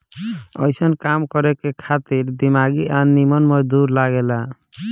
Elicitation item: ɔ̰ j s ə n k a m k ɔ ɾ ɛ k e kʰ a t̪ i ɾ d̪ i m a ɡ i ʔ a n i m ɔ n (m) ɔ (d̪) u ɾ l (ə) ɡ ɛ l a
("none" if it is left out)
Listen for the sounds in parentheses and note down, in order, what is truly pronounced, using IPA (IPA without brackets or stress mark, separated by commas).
m, d̪, a